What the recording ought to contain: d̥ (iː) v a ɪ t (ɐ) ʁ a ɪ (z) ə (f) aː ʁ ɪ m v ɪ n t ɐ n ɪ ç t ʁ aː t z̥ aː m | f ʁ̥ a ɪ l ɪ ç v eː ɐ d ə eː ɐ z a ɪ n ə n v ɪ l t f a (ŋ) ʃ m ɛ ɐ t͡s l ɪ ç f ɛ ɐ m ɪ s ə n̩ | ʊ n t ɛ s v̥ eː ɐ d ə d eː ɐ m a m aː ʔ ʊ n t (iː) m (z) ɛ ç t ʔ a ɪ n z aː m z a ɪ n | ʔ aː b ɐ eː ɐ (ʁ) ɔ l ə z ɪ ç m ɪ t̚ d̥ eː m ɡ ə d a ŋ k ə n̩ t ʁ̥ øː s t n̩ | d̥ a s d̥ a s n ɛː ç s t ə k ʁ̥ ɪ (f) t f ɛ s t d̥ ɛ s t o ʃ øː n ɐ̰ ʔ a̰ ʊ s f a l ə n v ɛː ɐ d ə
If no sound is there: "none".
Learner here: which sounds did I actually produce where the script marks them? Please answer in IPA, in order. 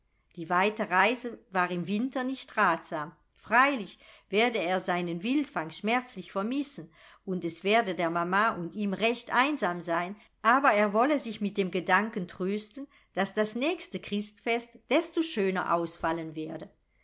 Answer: iː, ə, z, v, ŋ, iː, ʁ, v, s

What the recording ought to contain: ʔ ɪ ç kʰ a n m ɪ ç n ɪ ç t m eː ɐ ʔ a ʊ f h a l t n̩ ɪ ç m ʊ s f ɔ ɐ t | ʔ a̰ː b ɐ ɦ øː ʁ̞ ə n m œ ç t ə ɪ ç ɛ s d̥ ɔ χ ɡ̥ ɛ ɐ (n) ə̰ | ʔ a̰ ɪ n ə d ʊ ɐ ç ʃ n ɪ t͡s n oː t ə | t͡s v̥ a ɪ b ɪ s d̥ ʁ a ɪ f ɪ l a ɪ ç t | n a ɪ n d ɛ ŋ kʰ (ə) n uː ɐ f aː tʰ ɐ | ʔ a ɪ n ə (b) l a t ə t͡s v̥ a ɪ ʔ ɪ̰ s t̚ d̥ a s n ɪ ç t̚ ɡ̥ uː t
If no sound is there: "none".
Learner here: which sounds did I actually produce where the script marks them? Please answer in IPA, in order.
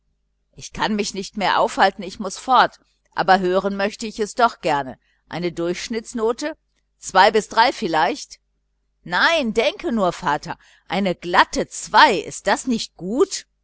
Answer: n, ə, ɡ

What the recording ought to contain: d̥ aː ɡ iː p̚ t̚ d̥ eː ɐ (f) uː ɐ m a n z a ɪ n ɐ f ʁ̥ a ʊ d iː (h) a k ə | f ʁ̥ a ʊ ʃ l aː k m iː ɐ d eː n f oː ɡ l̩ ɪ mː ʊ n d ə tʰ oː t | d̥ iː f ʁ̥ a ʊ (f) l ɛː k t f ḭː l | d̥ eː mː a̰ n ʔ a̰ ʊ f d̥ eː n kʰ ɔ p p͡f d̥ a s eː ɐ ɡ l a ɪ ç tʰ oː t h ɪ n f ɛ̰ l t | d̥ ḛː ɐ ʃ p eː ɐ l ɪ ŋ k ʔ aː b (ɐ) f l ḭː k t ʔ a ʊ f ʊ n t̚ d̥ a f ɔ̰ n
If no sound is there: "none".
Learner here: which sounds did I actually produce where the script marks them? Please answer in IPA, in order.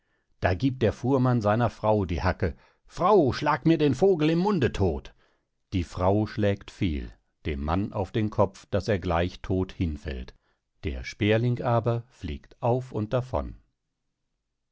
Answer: f, h, ʃ, ɐ

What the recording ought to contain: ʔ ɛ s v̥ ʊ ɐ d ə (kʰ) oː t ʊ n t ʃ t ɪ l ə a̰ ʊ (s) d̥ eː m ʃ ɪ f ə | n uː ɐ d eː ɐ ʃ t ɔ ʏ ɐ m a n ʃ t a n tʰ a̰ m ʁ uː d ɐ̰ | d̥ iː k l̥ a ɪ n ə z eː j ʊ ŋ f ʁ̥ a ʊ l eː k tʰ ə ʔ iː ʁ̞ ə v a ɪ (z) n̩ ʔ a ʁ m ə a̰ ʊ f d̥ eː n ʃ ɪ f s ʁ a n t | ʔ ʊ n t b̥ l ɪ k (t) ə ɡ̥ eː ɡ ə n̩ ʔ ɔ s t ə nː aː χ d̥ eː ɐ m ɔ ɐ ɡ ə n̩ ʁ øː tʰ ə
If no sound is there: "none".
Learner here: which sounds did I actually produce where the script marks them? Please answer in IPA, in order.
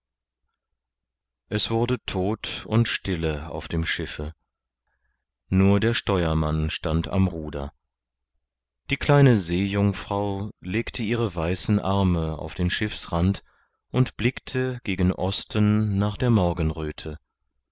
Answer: tʰ, f, s, tʰ

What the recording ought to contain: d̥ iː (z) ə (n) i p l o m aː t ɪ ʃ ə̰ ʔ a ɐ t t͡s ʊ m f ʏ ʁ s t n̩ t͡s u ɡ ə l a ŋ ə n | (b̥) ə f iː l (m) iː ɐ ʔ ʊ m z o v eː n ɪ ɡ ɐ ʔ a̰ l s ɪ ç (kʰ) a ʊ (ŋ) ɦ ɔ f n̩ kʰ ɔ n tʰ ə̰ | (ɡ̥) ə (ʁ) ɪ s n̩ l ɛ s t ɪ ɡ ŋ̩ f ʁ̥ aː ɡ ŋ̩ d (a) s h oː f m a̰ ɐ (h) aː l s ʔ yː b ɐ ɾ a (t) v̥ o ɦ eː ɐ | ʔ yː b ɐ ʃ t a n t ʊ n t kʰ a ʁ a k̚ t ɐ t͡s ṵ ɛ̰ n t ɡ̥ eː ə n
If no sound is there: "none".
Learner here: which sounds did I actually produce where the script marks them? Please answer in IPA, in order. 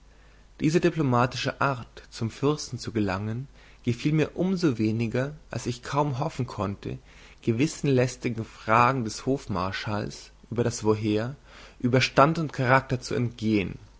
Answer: z, d, ɡ̥, m, kʰ, m, ɡ̥, v, ɛ, ʃ, s

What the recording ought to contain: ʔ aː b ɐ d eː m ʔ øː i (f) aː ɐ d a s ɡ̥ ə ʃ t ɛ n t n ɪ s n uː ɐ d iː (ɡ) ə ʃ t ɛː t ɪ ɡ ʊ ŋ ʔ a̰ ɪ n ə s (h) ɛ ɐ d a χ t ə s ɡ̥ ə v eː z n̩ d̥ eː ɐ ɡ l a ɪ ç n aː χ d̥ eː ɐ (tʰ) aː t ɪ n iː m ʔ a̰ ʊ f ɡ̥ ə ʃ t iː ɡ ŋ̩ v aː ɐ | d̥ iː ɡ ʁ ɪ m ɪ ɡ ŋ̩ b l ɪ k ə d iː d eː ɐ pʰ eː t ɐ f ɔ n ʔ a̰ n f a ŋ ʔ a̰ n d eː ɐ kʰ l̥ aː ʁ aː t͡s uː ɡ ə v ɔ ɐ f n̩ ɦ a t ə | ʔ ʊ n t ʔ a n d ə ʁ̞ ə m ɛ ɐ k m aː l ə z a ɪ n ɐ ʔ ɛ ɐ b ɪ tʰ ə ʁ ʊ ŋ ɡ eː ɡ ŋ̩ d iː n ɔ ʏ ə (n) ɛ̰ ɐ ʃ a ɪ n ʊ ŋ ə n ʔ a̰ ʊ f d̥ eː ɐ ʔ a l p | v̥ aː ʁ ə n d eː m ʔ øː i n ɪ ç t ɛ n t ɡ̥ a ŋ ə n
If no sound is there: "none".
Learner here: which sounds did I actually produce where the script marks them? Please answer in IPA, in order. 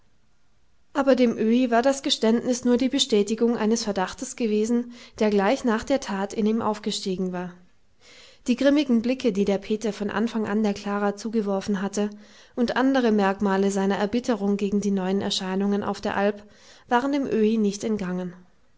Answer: v, b, f, tʰ, n

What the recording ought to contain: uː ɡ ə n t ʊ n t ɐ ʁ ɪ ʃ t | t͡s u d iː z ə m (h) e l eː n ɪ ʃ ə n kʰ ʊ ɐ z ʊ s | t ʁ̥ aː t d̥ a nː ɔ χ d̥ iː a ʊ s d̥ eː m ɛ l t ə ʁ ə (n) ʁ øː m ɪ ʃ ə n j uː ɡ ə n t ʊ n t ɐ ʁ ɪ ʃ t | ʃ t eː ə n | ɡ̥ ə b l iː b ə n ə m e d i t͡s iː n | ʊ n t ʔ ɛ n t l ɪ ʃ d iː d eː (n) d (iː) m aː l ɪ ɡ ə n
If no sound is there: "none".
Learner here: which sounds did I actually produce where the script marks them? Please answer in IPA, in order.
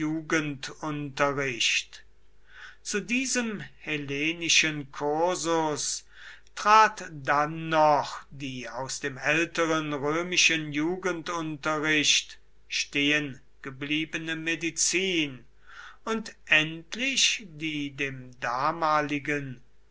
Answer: h, n, m, aː

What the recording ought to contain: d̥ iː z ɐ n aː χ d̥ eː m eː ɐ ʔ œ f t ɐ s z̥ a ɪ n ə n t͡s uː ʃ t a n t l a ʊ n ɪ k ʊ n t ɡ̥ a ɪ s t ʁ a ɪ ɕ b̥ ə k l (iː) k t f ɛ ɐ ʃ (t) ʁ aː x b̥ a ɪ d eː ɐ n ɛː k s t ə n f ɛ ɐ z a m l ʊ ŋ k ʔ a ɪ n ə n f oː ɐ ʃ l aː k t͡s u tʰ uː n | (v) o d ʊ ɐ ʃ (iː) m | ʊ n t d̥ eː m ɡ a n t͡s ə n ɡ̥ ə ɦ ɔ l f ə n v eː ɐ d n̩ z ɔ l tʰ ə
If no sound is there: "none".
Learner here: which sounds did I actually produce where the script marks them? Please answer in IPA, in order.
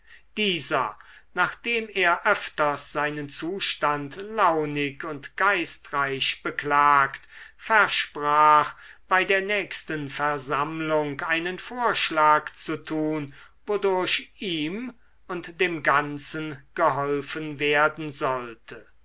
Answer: aː, p, v, iː

